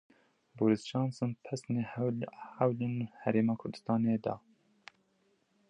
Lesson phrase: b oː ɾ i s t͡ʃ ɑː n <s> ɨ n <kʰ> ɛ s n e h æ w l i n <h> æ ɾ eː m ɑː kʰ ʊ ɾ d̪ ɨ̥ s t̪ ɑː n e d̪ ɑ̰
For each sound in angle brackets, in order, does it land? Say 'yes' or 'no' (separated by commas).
yes, no, yes